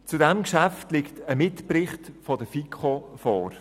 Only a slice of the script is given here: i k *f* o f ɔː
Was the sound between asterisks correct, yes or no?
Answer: no